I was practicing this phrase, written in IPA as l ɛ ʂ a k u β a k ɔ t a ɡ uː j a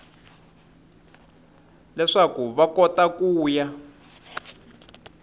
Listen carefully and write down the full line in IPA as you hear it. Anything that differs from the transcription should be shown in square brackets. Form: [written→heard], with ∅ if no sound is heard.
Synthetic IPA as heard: l ɛ ʂ a k u β a k ɔ t a [ɡ→k] uː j a